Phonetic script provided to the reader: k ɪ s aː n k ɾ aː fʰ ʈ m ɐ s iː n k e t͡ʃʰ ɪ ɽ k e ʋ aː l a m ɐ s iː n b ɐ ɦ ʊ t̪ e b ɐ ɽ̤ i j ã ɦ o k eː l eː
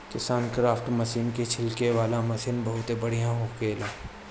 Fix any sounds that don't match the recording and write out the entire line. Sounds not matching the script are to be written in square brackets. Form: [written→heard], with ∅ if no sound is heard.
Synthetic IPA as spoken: k ɪ s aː n k ɾ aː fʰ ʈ m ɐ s iː n k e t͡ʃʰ ɪ [ɽ→l] k e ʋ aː l a m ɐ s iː n b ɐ ɦ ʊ t̪ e b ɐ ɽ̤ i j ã ɦ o k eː l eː